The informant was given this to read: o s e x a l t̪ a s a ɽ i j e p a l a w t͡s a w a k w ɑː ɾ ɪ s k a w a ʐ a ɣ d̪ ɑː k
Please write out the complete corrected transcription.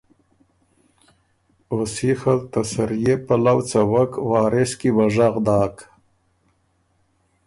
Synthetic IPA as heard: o s i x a l t̪ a s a ɾ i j e p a l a w t͡s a w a k w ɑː ɾ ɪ s k i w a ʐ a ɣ d̪ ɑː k